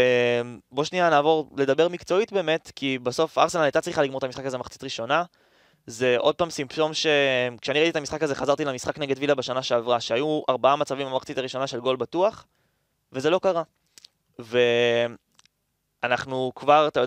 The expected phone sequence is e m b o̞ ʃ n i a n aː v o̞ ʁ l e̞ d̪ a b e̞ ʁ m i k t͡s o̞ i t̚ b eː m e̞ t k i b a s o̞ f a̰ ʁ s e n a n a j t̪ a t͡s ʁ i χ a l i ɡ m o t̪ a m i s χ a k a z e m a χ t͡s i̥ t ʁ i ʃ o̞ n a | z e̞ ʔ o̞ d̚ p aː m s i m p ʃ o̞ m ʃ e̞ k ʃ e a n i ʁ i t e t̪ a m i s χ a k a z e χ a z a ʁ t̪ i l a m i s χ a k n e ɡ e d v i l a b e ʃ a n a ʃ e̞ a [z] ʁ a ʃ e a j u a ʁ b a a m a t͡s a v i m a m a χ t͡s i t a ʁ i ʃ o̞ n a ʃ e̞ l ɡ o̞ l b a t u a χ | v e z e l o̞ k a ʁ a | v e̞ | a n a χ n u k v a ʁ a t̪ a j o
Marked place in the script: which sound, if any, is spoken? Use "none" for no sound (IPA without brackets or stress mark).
v